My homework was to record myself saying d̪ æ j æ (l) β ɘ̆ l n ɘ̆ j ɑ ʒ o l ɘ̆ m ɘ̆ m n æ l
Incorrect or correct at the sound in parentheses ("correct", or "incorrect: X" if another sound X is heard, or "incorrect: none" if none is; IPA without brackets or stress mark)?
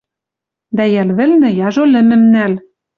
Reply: correct